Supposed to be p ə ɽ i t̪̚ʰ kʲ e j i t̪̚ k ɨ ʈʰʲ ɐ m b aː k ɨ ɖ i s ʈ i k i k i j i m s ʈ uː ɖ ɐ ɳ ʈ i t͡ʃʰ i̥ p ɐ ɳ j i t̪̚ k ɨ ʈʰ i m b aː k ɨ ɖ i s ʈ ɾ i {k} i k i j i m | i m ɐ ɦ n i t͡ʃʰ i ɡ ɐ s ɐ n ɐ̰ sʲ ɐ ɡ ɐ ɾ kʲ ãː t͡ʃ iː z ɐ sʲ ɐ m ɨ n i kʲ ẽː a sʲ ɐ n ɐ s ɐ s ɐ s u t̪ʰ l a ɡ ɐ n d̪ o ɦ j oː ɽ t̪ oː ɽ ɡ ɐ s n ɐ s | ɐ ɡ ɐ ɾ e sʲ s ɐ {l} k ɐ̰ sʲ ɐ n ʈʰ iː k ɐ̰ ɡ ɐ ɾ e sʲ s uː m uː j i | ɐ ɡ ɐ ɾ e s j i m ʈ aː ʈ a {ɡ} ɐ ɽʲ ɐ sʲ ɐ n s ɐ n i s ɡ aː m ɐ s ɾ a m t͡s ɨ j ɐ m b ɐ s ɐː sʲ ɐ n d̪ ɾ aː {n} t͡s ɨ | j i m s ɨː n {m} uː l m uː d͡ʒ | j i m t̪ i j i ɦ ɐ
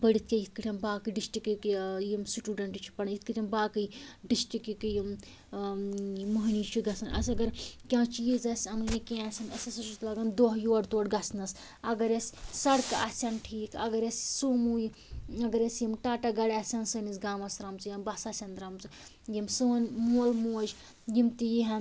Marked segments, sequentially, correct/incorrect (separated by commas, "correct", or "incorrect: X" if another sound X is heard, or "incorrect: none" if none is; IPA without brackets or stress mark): correct, incorrect: ɽ, correct, incorrect: m, correct